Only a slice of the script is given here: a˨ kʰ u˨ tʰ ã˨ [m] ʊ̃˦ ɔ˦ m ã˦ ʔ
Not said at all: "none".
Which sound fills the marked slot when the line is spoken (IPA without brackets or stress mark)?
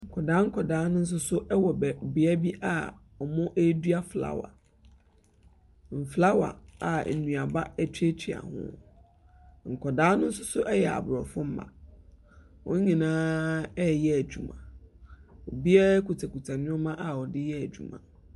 n